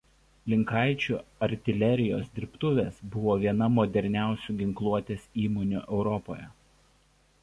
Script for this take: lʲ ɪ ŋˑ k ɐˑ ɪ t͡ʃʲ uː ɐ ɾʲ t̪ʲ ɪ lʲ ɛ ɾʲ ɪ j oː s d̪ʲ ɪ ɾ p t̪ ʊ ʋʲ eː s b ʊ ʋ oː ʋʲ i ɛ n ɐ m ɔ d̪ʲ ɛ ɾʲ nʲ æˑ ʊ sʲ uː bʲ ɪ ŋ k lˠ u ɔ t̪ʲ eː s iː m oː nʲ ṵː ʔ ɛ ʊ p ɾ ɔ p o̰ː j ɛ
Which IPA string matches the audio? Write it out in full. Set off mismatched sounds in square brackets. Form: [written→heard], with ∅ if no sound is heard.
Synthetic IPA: lʲ ɪ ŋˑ k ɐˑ ɪ t͡ʃʲ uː ɐ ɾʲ t̪ʲ ɪ lʲ ɛ ɾʲ ɪ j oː s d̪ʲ ɪ ɾ p t̪ ʊ ʋʲ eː s b ʊ ʋ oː ʋʲ i ɛ n ɐ m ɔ d̪ʲ ɛ ɾʲ nʲ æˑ ʊ sʲ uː [bʲ→ɡʲ] ɪ ŋ k lˠ u ɔ t̪ʲ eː s iː m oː nʲ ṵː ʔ ɛ ʊ [p→∅] ɾ ɔ p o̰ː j ɛ

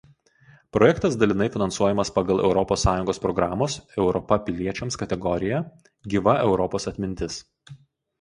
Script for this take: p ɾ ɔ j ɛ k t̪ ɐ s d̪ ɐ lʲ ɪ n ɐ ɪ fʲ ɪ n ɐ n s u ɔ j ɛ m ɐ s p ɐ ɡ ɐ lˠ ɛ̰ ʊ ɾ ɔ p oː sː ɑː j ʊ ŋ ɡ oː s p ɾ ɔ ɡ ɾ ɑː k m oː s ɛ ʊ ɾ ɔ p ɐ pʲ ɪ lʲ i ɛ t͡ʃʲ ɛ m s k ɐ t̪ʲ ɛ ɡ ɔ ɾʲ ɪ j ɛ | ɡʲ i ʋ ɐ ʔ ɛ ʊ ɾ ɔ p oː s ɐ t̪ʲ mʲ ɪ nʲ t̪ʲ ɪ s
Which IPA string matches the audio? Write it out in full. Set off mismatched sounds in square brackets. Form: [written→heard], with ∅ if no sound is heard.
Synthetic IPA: p ɾ ɔ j ɛ k t̪ ɐ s d̪ ɐ lʲ ɪ n ɐ ɪ fʲ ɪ n ɐ n s u ɔ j ɛ m ɐ s p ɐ ɡ ɐ lˠ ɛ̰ ʊ ɾ ɔ p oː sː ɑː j ʊ ŋ ɡ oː s p ɾ ɔ ɡ ɾ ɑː [k→∅] m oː s ɛ ʊ ɾ ɔ p ɐ pʲ ɪ lʲ i ɛ t͡ʃʲ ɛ m s k ɐ t̪ʲ ɛ ɡ ɔ ɾʲ ɪ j ɛ | ɡʲ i ʋ ɐ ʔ ɛ ʊ ɾ ɔ p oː s ɐ t̪ʲ mʲ ɪ nʲ t̪ʲ ɪ s

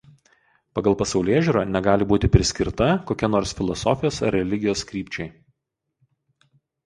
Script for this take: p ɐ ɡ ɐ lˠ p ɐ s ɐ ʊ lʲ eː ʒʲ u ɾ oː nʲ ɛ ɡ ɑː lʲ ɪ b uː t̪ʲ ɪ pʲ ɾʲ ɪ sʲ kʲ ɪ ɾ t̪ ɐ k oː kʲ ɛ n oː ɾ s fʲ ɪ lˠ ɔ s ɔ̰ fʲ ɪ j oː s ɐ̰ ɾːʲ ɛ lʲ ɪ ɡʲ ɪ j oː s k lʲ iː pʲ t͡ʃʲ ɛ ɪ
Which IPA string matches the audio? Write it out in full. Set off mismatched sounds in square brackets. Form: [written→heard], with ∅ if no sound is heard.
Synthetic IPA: p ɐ ɡ ɐ lˠ p ɐ s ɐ ʊ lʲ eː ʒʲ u ɾ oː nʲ ɛ ɡ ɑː lʲ ɪ b uː t̪ʲ ɪ pʲ ɾʲ ɪ sʲ kʲ ɪ ɾ t̪ ɐ k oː kʲ ɛ n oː ɾ s fʲ ɪ lˠ ɔ s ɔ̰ fʲ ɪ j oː s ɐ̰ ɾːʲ ɛ lʲ ɪ ɡʲ ɪ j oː s k [lʲ→ɾʲ] iː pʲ t͡ʃʲ ɛ ɪ

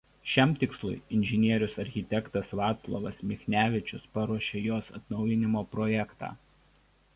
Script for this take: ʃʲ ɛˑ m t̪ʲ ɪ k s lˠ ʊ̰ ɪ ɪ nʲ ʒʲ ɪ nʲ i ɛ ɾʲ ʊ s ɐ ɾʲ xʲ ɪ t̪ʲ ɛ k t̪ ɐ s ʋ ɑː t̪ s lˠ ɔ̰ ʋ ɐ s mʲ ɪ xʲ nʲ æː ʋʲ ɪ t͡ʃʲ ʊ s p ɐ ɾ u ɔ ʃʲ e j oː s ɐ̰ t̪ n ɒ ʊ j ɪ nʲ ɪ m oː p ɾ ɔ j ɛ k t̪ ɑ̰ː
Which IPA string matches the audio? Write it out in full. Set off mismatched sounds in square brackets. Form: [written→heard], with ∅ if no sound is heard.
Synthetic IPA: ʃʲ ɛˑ m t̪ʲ ɪ k s lˠ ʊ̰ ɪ ɪ nʲ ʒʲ ɪ nʲ i ɛ ɾʲ ʊ s ɐ ɾʲ xʲ ɪ t̪ʲ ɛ k t̪ ɐ s ʋ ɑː t̪ s lˠ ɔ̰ ʋ ɐ s mʲ ɪ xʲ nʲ æː ʋʲ ɪ t͡ʃʲ ʊ s p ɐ ɾ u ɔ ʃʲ e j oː s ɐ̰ t̪ n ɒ ʊ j ɪ nʲ ɪ m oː p ɾ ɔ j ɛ k t̪ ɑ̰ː

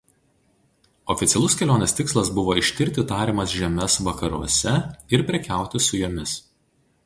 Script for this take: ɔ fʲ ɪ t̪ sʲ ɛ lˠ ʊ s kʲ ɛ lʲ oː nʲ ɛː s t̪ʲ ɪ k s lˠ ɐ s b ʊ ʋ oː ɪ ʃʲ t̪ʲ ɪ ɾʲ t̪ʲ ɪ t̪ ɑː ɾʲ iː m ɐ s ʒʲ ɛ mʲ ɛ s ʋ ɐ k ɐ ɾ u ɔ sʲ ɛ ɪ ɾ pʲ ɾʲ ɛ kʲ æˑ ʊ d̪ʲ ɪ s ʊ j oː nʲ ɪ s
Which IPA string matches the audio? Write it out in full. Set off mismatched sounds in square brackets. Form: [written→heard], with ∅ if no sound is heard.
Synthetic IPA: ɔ fʲ ɪ t̪ sʲ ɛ lˠ ʊ s kʲ ɛ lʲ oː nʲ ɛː s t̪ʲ ɪ k s lˠ ɐ s b ʊ ʋ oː ɪ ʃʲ t̪ʲ ɪ ɾʲ t̪ʲ ɪ t̪ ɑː ɾʲ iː m ɐ s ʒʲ ɛ mʲ ɛ s ʋ ɐ k ɐ ɾ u ɔ sʲ ɛ ɪ ɾ pʲ ɾʲ ɛ kʲ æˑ ʊ [d̪ʲ→t̪ʲ] ɪ s ʊ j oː [nʲ→mʲ] ɪ s

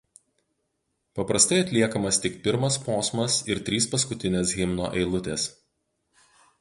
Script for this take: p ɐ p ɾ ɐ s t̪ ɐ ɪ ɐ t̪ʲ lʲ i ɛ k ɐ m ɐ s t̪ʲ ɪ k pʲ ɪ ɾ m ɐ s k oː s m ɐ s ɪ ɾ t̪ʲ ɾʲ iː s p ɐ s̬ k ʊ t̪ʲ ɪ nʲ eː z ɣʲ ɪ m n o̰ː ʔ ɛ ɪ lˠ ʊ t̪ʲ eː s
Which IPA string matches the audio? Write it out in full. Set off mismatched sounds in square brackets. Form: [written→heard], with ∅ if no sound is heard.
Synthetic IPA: p ɐ p ɾ ɐ s t̪ ɐ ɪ ɐ t̪ʲ lʲ i ɛ k ɐ m ɐ s t̪ʲ ɪ k pʲ ɪ ɾ m ɐ s [k→p] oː s m ɐ s ɪ ɾ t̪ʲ ɾʲ iː s p ɐ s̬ k ʊ t̪ʲ ɪ nʲ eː [z→s] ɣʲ ɪ m n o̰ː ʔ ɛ ɪ lˠ ʊ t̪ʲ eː s

